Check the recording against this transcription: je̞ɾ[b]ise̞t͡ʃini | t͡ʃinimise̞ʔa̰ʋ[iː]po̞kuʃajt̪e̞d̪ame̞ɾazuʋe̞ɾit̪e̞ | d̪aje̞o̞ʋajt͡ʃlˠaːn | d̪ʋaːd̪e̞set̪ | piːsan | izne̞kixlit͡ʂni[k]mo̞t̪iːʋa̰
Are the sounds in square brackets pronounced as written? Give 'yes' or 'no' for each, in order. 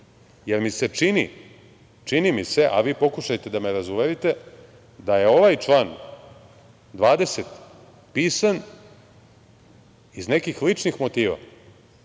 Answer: no, yes, no

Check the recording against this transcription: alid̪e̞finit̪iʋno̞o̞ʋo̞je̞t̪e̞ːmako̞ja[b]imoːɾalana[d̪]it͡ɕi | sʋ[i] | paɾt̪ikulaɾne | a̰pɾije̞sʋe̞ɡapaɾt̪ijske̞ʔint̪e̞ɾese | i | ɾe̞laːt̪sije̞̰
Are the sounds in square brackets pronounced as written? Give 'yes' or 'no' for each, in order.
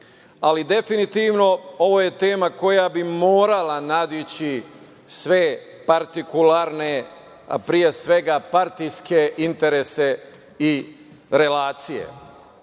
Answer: yes, yes, no

